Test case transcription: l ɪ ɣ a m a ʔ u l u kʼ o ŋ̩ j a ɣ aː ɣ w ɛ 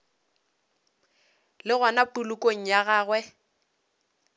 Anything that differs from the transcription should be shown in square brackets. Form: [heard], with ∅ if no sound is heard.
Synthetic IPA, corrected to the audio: l ɪ ɣ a [n] a [p] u l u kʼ o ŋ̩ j a ɣ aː ɣ w ɛ